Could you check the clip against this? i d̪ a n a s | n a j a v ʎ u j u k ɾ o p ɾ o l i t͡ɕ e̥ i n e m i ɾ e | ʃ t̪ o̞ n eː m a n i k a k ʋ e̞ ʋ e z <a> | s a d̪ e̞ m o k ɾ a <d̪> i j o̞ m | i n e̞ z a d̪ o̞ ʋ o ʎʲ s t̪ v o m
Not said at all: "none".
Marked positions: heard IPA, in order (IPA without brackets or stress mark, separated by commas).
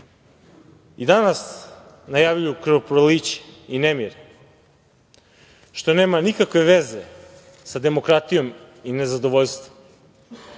e, t̪